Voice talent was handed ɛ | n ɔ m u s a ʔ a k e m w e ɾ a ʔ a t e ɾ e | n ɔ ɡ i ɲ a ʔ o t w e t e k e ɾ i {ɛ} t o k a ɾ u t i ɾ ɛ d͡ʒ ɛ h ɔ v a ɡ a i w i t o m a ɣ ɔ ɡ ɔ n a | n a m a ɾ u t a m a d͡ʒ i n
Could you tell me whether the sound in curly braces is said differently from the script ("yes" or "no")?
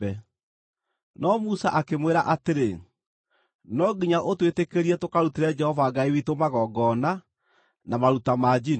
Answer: no